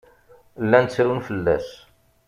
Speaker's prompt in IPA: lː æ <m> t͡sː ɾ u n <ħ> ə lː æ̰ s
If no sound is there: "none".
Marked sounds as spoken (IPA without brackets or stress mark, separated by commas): n, f